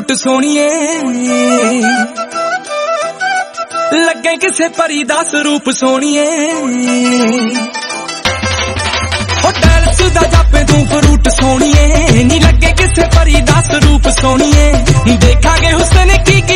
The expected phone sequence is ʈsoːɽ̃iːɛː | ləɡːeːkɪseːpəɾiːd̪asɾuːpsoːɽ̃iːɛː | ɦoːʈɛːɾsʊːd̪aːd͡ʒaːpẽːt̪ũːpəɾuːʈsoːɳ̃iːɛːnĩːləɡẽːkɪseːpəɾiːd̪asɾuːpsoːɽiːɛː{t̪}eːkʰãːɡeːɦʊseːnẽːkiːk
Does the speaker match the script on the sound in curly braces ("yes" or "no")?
no